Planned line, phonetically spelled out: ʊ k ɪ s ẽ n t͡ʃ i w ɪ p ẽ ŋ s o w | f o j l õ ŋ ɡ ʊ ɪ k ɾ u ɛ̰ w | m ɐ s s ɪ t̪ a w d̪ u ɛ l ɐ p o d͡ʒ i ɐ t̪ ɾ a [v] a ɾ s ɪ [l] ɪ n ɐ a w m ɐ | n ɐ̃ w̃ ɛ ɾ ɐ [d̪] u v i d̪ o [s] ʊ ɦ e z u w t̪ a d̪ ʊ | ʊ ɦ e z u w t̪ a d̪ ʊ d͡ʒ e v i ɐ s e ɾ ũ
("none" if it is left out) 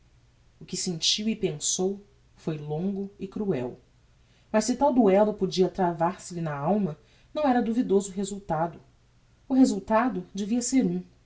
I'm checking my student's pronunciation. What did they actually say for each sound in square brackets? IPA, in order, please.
v, l, d̪, z

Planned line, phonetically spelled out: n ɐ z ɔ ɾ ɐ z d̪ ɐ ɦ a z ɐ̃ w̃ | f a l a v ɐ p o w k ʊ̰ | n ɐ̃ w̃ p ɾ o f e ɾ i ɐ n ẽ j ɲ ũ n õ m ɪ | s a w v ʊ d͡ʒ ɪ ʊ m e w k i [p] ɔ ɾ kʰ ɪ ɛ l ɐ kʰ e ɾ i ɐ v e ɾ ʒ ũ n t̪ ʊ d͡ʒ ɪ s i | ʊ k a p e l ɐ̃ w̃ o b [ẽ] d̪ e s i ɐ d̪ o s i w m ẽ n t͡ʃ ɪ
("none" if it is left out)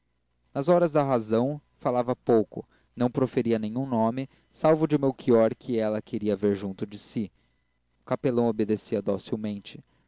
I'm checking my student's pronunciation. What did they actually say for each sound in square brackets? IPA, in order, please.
none, e

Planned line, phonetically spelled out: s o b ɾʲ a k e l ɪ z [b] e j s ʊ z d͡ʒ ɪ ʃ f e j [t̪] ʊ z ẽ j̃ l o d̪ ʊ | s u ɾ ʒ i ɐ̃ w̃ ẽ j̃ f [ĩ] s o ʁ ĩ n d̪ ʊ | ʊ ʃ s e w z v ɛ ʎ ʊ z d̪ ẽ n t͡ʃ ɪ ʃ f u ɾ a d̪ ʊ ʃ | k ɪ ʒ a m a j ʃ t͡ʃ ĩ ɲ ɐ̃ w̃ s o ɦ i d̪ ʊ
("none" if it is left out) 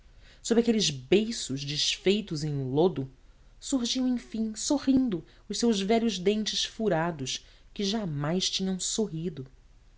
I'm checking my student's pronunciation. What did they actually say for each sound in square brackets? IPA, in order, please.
b, t̪, ĩ

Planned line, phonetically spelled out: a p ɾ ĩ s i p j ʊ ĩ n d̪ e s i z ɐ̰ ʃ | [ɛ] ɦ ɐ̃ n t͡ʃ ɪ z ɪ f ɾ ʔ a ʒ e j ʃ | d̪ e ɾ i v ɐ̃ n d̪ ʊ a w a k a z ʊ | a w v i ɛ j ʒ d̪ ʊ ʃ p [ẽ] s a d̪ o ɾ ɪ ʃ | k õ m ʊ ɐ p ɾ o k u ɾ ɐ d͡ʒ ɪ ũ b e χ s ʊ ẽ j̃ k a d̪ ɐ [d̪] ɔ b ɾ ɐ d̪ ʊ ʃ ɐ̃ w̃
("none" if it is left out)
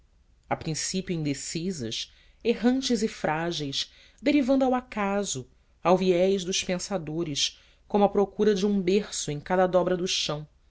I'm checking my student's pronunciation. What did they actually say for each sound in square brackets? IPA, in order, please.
e, ẽ, d̪

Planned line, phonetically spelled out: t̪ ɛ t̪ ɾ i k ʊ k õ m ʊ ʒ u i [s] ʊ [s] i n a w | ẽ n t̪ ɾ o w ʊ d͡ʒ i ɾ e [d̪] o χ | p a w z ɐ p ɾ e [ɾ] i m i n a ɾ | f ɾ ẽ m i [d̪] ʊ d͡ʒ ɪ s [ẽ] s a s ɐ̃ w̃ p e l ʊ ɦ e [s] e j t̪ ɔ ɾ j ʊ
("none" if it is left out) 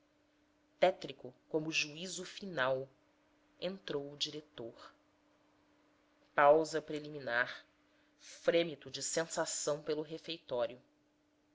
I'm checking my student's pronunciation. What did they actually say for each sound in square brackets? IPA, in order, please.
z, f, t̪, l, t̪, ẽ, f

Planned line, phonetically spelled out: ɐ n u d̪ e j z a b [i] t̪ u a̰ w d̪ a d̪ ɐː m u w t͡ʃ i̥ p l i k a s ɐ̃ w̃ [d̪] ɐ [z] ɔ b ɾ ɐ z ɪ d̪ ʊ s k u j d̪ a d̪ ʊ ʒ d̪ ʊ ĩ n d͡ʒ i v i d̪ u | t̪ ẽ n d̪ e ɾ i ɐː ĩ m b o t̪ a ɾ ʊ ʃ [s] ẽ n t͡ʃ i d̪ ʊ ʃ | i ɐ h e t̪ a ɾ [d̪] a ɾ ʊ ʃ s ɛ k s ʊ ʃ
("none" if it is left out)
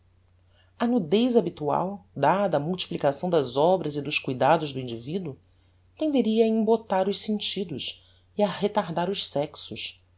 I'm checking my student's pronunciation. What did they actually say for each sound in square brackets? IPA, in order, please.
i, d̪, z, s, d̪

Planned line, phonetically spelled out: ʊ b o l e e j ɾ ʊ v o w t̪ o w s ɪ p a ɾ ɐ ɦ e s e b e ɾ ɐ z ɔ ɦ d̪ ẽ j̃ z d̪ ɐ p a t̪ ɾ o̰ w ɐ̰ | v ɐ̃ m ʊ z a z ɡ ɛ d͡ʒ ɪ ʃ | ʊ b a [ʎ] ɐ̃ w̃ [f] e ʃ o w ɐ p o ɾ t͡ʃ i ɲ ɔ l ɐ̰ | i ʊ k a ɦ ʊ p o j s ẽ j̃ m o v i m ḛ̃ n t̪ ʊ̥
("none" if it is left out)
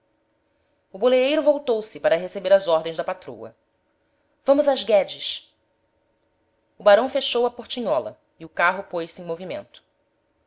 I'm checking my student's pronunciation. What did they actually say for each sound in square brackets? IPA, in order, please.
ɾ, f

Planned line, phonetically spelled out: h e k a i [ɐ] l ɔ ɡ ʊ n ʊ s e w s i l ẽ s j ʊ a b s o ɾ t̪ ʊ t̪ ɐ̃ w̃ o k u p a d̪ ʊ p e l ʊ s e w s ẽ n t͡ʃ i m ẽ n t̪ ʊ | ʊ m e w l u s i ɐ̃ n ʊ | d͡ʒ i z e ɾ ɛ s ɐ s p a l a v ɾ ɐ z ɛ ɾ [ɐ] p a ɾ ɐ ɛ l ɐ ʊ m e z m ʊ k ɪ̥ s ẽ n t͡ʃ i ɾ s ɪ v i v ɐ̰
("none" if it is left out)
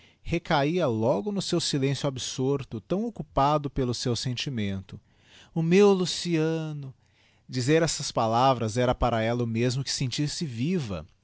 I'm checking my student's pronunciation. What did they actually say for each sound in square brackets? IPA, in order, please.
ɐ, ɐ

